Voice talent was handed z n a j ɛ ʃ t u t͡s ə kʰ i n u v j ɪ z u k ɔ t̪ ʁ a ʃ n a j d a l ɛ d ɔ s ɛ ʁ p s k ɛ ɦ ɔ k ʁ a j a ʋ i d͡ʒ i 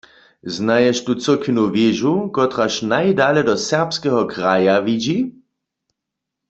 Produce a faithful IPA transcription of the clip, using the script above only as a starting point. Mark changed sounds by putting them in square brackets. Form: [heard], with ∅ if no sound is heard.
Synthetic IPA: z n a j ɛ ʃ t u t͡s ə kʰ i n u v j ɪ [ʒ] u k ɔ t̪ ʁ a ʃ n a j d a l ɛ d ɔ s ɛ ʁ p s k ɛ ɦ ɔ k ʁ a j a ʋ i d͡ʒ i